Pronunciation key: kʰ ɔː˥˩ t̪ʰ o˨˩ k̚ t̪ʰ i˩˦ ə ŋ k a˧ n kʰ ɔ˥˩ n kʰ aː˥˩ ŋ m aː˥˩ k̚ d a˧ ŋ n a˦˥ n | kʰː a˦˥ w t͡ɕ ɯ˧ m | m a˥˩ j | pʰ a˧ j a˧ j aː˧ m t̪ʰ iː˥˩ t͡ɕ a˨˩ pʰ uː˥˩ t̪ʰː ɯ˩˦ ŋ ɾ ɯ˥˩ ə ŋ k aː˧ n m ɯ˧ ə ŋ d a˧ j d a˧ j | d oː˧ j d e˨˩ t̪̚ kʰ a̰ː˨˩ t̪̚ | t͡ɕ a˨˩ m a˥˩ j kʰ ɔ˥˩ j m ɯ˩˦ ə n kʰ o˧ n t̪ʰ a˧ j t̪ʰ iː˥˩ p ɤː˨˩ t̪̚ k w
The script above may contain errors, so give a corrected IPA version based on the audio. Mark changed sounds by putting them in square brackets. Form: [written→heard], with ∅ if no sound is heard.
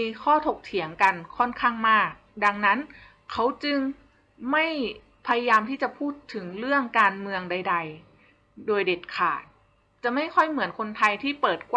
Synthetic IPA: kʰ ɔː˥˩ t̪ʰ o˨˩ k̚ t̪ʰ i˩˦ ə ŋ k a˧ n kʰ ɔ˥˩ n kʰ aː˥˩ ŋ m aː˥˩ k̚ d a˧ ŋ n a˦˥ n | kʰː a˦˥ w t͡ɕ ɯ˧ [m→ŋ] | m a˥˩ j | pʰ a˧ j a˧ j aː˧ m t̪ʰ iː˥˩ t͡ɕ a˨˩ pʰ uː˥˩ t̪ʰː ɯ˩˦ ŋ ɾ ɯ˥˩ ə ŋ k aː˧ n m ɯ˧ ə ŋ d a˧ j d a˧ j | d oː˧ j d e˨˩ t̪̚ kʰ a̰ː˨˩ t̪̚ | t͡ɕ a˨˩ m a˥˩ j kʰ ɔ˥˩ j m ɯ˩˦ ə n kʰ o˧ n t̪ʰ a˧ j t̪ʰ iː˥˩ p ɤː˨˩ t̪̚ k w